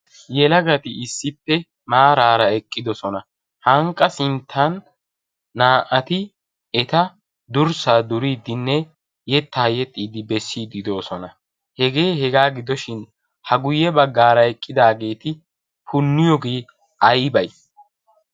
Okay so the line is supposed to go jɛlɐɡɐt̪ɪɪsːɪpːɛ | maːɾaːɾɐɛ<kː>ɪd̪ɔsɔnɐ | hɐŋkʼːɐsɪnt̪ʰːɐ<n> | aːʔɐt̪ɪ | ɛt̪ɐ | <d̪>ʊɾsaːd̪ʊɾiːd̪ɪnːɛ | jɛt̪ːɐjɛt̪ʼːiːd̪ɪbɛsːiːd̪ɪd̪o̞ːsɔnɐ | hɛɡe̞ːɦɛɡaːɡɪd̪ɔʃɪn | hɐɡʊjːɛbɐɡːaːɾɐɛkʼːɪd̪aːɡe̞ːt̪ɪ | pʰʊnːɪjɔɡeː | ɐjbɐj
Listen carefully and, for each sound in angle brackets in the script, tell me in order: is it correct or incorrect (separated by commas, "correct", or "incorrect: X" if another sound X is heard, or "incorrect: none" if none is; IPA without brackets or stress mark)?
incorrect: kʼː, incorrect: nː, correct